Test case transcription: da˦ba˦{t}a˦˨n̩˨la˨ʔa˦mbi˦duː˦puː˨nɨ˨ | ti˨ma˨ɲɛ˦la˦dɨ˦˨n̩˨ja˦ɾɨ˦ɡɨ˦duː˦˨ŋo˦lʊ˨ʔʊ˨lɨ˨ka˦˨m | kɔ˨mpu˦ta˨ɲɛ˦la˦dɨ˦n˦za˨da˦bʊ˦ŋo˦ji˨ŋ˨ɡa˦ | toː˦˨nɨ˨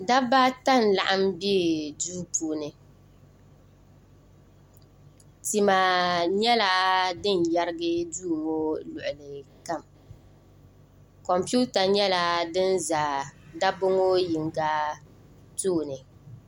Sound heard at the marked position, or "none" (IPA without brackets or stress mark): t